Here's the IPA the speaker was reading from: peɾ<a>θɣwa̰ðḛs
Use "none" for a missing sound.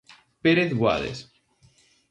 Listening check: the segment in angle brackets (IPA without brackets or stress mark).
e